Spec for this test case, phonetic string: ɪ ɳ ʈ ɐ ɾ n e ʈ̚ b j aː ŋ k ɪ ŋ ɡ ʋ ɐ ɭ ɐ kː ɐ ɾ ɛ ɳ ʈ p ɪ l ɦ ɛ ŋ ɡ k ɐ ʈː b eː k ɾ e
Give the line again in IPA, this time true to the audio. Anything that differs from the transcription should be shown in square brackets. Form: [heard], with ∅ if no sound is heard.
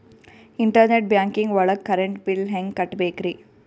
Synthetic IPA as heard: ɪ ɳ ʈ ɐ ɾ n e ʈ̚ b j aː ŋ k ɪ ŋ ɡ ʋ ɐ ɭ ɐ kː ɐ ɾ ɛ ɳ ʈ p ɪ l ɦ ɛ ŋ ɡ k ɐ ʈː b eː k ɾ [i]